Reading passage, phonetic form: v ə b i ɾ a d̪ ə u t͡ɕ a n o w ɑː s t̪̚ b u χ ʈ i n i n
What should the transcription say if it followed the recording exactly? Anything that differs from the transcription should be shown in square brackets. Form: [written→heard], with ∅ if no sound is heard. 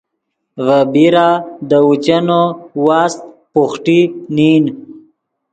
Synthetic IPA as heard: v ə b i ɾ a d̪ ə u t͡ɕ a n o w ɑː s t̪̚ [b→p] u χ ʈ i n i n